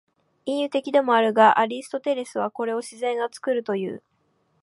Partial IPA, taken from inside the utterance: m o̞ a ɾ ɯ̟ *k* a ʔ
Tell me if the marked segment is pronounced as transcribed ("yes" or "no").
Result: no